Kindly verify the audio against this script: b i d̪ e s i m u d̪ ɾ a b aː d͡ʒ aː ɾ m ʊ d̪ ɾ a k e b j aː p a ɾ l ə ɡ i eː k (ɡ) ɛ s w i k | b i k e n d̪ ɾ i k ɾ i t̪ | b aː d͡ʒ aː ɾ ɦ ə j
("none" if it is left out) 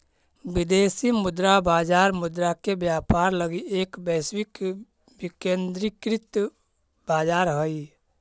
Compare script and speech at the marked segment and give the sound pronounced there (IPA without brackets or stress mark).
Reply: b